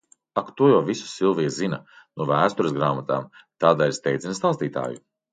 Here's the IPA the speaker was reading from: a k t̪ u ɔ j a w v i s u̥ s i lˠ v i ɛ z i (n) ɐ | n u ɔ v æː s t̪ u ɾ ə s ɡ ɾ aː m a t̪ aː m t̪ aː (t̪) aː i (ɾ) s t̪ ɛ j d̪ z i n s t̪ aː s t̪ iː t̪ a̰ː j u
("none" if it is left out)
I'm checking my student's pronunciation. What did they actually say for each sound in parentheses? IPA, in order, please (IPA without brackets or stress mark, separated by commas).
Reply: n, d̪, ɾ